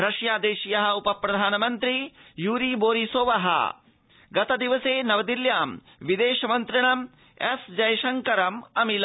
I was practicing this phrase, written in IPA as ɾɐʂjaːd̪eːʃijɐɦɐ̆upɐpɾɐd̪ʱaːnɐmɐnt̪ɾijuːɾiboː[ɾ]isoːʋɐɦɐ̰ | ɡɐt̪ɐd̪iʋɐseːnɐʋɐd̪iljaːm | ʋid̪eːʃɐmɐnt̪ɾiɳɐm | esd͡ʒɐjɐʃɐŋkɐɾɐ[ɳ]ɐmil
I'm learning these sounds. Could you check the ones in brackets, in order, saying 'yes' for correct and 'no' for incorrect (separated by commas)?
yes, no